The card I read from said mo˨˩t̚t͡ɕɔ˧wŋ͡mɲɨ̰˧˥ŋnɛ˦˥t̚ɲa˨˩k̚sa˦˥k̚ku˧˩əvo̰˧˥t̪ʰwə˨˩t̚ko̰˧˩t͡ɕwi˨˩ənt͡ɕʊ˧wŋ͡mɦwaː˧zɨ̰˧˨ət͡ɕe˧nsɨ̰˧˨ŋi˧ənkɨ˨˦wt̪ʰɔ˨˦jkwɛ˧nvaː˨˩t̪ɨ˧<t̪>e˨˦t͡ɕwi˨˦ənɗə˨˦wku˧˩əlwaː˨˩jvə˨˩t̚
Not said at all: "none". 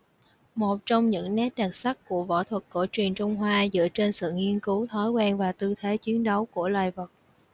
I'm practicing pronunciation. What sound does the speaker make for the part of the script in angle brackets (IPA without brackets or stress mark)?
t̪ʰ